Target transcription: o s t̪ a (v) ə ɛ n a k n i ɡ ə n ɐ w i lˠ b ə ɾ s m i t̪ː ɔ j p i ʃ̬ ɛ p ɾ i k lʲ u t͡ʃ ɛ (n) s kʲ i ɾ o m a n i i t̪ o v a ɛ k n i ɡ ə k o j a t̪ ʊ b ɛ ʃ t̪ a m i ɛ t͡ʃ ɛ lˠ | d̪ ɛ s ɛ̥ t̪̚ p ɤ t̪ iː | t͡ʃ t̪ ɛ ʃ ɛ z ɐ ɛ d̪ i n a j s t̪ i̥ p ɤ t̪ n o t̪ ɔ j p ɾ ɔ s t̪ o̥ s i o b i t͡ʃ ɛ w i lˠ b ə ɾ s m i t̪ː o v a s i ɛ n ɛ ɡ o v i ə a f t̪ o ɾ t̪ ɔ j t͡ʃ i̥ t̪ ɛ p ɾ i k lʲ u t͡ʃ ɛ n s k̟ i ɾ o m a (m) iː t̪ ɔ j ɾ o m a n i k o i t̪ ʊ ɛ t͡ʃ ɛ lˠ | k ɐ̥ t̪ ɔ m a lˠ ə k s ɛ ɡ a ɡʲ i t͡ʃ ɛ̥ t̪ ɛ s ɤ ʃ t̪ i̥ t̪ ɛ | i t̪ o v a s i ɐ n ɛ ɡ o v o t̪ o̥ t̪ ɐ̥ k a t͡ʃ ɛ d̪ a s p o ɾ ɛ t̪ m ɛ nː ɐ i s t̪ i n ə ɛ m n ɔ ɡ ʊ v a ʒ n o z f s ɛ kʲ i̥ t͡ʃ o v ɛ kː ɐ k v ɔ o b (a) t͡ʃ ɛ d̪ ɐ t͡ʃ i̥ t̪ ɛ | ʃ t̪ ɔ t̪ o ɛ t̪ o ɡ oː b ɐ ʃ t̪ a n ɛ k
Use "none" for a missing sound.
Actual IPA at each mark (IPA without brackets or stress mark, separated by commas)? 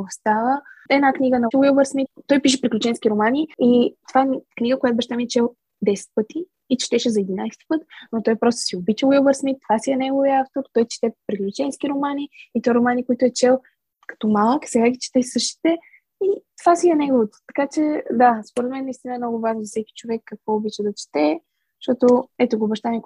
v, n, n, i